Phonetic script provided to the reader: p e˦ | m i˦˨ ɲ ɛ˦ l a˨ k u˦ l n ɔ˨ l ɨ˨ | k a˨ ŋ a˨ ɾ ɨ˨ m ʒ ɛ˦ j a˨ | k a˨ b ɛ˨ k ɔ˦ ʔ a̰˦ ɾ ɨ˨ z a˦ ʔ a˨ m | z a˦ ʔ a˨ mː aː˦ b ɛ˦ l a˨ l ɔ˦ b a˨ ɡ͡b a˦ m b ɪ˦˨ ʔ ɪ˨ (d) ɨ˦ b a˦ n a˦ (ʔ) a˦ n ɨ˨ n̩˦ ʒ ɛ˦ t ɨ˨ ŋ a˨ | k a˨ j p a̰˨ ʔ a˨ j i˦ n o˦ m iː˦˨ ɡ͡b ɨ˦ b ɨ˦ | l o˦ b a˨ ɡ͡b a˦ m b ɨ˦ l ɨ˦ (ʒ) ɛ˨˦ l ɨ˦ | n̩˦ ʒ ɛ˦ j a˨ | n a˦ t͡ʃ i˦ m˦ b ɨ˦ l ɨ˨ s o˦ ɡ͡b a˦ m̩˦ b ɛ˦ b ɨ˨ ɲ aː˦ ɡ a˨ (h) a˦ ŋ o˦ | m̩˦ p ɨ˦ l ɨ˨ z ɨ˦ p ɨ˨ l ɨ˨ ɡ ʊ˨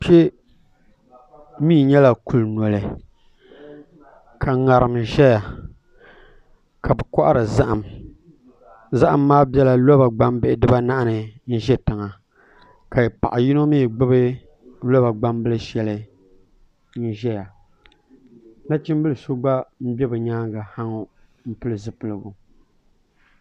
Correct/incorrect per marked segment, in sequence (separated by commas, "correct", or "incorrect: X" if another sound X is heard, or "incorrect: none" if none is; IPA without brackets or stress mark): correct, correct, incorrect: ʃ, correct